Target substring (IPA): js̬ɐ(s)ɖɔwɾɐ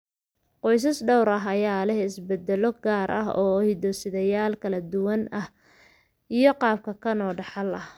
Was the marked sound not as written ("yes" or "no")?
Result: no